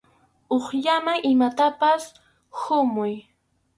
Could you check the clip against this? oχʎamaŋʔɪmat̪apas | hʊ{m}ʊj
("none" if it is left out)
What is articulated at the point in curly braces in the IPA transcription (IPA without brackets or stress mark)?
m